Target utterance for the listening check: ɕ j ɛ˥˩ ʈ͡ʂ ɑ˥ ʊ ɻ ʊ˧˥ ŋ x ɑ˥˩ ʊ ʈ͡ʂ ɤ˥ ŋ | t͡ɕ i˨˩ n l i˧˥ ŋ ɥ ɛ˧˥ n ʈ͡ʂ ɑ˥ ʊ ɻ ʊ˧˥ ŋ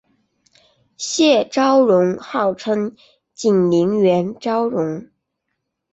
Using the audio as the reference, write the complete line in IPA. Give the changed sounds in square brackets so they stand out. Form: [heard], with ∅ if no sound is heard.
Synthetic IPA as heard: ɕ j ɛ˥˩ ʈ͡ʂ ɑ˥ ʊ ɻ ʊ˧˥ ŋ x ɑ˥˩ ʊ [ʈ͡ʂʰ] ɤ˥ ŋ | t͡ɕ i˨˩ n l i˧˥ ŋ ɥ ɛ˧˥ n ʈ͡ʂ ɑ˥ ʊ ɻ ʊ˧˥ ŋ